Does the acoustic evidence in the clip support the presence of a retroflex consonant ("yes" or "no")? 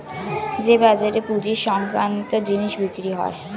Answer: no